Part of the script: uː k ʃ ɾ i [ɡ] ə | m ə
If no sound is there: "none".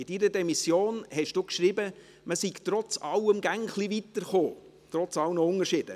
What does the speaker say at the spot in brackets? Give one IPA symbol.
b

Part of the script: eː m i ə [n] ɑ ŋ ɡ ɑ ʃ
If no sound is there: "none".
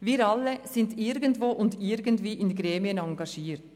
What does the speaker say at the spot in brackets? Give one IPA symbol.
n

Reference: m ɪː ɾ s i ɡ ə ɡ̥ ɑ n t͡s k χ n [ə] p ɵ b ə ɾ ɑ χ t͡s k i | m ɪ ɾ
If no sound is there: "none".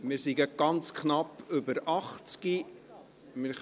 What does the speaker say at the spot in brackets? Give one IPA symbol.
ɑ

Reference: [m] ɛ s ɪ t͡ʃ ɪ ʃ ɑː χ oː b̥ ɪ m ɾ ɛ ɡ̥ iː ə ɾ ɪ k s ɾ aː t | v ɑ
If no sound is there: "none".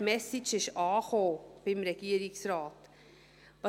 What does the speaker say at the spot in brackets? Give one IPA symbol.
m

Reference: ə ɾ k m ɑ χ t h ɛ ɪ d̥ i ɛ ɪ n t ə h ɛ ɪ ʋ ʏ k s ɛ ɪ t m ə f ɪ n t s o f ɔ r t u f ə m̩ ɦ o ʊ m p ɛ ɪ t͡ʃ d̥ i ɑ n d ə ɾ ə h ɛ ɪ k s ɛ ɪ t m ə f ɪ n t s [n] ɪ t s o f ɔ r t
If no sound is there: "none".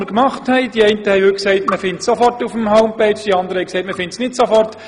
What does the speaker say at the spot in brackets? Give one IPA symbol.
n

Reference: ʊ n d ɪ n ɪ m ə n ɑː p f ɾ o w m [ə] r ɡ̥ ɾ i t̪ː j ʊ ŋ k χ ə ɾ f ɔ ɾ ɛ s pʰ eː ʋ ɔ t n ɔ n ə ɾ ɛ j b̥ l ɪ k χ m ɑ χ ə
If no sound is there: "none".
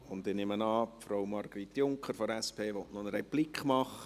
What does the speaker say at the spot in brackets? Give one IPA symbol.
ɑ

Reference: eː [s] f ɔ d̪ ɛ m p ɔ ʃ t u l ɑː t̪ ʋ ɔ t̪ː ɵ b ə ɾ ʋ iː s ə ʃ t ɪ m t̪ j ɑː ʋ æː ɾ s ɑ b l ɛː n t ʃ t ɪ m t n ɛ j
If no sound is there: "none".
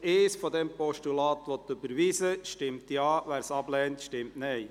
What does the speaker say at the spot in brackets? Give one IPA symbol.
s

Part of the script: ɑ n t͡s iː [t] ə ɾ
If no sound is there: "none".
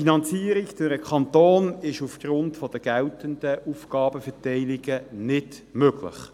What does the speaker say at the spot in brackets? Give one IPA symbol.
none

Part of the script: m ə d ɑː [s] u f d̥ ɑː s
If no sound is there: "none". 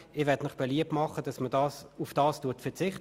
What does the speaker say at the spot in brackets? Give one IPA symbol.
s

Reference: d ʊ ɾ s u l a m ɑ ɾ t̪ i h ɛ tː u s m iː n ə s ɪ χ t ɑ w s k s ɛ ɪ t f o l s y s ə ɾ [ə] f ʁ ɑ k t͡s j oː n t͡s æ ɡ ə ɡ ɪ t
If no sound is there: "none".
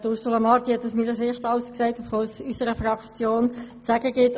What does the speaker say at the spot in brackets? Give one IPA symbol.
ə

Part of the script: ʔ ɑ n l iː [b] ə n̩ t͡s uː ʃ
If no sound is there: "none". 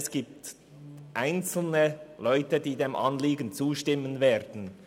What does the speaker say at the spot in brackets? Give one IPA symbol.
ɡ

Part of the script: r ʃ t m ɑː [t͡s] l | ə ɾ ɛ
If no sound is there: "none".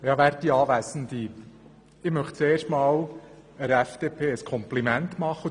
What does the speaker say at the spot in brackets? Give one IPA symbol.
none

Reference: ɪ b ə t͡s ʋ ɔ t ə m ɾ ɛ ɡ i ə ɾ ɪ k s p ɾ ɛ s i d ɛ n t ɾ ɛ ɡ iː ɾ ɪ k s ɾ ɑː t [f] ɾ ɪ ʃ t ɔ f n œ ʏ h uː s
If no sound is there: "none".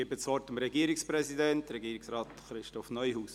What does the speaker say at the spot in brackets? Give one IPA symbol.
χ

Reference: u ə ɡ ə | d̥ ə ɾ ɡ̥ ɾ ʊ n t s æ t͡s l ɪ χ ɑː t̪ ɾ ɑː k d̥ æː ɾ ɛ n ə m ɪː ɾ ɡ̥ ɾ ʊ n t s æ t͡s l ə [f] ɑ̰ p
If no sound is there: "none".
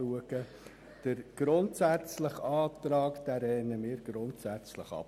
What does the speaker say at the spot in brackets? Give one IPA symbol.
χ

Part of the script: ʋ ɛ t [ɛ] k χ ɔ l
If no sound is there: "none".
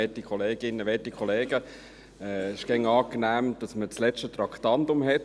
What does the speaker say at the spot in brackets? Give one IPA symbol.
i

